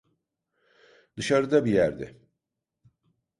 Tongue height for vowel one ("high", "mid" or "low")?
high